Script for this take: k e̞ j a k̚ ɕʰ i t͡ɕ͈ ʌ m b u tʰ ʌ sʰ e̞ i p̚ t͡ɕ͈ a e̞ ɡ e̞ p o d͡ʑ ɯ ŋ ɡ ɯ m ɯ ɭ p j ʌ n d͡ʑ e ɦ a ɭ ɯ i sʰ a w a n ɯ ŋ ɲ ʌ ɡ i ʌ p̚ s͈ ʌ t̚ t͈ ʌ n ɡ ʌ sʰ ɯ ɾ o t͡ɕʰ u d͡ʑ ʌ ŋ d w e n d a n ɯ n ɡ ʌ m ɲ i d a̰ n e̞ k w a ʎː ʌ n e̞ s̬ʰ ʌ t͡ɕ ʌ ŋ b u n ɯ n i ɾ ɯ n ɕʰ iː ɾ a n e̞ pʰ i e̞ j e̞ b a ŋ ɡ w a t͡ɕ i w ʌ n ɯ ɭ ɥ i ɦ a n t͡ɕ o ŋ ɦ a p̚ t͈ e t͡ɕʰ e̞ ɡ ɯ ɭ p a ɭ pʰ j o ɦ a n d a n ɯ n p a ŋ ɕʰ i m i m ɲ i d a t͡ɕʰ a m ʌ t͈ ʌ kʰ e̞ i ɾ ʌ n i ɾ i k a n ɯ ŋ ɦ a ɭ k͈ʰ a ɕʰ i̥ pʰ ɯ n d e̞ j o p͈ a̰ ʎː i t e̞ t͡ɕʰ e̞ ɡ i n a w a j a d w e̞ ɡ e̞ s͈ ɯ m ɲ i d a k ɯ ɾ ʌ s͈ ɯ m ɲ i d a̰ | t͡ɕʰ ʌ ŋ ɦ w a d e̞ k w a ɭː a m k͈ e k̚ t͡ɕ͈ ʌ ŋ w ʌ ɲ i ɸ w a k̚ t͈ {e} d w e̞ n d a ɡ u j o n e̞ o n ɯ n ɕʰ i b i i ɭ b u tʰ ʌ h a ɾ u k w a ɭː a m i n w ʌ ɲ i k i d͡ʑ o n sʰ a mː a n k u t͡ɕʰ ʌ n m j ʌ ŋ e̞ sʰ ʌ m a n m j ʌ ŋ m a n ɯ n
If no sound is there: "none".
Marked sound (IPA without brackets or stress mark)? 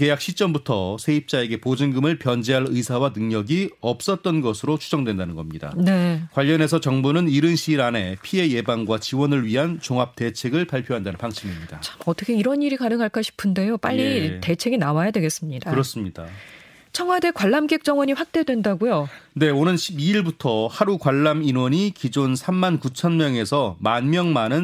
e